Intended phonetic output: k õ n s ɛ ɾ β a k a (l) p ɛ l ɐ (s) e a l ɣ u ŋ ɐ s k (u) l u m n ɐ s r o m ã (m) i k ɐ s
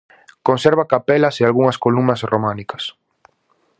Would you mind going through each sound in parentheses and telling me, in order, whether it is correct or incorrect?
incorrect: none, correct, incorrect: o, incorrect: n

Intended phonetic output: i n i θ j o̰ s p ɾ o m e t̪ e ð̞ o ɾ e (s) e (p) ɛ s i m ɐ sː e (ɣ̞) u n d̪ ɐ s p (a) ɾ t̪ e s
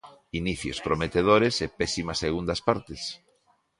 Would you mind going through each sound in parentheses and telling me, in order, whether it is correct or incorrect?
correct, correct, correct, correct

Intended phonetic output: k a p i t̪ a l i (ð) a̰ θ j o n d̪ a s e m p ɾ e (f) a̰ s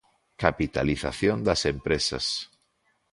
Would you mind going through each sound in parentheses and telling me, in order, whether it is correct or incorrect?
incorrect: θ, incorrect: s

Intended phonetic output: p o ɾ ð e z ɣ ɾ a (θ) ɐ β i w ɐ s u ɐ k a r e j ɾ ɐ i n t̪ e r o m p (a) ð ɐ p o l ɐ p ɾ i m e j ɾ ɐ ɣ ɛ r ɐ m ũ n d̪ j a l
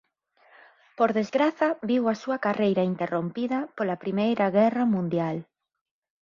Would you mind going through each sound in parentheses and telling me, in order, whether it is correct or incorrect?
correct, incorrect: i

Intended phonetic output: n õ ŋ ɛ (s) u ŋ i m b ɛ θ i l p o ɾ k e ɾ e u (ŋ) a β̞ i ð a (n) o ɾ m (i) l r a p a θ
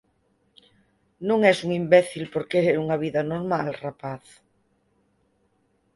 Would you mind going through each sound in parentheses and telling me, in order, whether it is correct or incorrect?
correct, correct, correct, incorrect: a

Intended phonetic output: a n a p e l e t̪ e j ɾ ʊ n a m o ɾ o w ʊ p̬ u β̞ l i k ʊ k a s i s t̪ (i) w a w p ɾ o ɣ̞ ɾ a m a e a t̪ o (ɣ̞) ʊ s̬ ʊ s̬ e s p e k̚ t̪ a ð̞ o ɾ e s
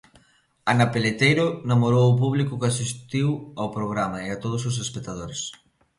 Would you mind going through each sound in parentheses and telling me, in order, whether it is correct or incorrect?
correct, incorrect: ð̞

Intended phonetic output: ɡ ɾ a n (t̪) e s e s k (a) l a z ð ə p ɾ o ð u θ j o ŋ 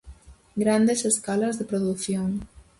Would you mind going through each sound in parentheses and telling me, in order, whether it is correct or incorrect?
incorrect: d̪, correct

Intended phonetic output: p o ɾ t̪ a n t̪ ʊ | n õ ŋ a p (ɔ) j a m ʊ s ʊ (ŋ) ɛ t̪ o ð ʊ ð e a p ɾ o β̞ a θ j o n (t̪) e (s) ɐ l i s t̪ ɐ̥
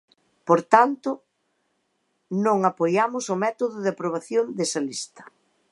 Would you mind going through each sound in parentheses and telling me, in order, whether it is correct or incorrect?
incorrect: o, incorrect: m, incorrect: d̪, correct

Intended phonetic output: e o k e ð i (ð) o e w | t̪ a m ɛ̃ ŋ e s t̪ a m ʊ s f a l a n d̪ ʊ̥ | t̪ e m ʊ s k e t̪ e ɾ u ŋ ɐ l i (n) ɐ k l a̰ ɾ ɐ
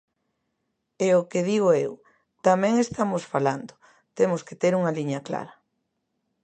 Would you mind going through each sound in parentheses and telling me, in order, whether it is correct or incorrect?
incorrect: ɣ, incorrect: ɲ

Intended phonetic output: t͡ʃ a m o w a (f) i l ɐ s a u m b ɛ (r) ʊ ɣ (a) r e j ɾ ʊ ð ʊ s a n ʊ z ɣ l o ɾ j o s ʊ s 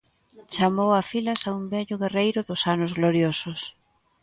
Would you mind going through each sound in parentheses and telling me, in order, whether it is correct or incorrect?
correct, incorrect: ʎ, incorrect: e

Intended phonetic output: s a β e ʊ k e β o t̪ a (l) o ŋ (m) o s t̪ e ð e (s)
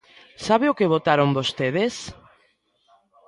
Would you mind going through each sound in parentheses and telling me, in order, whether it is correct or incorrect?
incorrect: ɾ, incorrect: b, correct

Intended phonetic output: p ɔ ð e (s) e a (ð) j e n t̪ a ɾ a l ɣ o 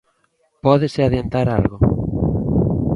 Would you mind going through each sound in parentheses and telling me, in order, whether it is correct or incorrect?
correct, correct

